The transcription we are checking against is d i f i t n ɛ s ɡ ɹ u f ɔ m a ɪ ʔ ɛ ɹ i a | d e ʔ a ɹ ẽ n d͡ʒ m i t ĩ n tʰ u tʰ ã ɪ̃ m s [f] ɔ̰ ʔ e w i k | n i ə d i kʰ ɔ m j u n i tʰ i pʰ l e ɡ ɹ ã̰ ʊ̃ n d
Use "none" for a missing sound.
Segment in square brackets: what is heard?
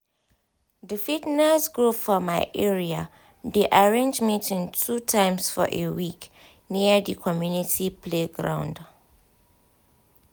f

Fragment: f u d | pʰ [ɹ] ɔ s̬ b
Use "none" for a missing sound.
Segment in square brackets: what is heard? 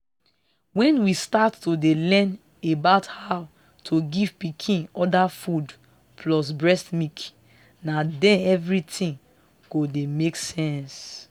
l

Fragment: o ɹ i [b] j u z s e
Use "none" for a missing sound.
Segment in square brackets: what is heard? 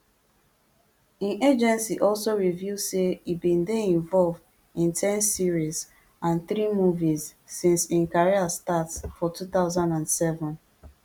v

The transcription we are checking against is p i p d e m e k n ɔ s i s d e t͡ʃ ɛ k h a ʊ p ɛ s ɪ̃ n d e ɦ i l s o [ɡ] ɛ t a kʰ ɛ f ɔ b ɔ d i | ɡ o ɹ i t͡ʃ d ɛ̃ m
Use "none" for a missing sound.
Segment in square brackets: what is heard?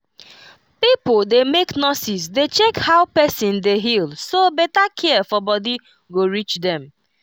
b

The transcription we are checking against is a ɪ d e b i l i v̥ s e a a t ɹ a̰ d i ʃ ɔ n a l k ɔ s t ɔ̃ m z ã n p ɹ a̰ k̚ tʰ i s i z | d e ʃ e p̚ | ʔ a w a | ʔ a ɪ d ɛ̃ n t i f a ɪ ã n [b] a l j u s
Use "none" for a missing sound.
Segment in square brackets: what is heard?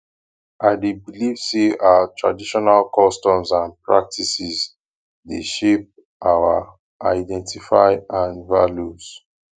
v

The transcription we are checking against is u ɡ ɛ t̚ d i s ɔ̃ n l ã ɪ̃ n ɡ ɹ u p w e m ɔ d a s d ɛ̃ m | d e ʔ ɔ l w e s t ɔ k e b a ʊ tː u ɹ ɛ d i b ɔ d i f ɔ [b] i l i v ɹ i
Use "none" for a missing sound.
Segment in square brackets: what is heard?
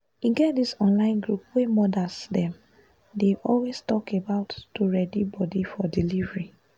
d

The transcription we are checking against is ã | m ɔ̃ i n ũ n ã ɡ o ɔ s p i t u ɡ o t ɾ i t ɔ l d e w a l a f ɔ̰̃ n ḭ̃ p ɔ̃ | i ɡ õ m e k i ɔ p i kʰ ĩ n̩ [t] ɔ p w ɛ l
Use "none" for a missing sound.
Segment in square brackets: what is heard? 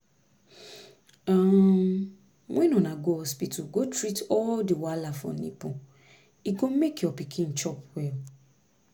t͡ʃ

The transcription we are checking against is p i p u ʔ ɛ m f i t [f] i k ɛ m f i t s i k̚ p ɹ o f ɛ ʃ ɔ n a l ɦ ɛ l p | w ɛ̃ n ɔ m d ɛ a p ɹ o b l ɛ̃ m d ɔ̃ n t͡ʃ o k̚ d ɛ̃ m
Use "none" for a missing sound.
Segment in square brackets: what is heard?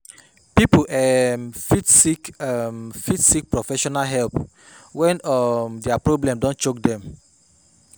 s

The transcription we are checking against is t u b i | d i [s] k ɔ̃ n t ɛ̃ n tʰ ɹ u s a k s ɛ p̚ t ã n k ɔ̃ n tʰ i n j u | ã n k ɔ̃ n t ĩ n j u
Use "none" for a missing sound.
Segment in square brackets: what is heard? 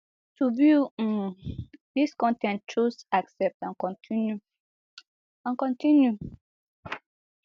s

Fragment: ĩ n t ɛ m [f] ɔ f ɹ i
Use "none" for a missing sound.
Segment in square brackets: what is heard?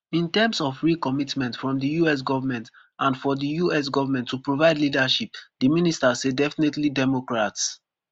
s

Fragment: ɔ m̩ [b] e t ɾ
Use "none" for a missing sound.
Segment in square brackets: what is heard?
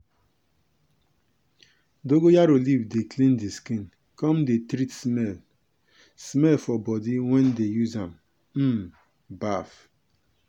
d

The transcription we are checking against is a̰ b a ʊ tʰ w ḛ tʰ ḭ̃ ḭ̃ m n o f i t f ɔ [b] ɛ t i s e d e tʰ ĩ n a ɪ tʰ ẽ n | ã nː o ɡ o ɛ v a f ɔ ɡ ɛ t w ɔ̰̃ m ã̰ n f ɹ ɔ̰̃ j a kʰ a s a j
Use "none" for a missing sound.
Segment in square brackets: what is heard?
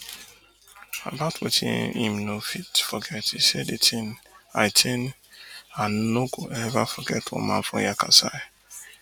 ɡ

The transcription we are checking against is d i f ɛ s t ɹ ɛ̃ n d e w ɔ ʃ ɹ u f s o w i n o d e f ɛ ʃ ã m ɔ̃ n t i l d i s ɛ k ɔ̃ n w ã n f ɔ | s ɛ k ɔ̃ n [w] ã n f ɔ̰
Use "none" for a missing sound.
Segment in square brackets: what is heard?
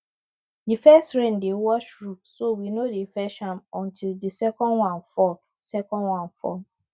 w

